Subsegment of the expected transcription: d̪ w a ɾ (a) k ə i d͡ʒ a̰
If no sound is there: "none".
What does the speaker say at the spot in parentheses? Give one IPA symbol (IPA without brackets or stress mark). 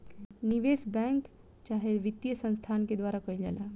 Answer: a